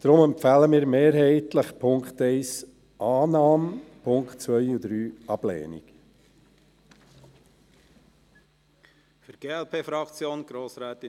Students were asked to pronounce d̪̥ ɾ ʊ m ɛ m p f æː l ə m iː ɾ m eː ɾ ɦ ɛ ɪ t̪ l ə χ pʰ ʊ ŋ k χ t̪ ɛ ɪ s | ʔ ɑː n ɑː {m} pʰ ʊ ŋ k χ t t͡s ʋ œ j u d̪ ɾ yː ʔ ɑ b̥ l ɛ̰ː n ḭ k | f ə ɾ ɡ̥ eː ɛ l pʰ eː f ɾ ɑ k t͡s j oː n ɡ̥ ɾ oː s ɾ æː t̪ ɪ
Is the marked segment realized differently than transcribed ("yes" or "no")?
no